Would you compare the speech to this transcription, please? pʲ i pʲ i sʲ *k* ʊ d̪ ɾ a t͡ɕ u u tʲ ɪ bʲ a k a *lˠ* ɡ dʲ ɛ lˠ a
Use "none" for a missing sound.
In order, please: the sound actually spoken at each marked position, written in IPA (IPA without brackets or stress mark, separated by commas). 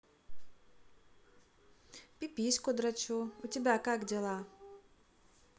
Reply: k, none